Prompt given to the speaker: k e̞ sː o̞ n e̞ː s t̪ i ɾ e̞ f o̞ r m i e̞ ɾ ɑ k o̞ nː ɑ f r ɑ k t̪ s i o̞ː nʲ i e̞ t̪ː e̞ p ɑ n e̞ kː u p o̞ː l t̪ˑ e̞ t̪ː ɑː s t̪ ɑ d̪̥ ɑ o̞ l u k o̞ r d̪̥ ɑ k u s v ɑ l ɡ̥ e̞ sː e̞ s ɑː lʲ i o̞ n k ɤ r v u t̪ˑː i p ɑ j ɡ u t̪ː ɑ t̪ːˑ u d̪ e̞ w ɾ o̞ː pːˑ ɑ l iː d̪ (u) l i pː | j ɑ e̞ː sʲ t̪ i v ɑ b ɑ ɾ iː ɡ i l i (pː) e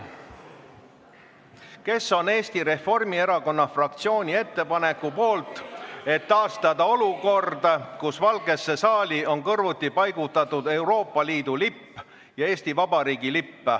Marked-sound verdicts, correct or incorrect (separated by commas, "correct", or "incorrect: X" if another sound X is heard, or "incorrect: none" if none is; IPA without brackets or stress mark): correct, correct